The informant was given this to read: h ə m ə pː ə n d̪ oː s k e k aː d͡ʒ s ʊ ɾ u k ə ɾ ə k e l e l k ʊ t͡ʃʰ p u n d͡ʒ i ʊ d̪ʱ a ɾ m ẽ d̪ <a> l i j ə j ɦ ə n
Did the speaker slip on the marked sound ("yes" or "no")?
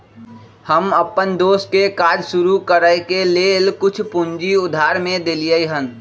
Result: yes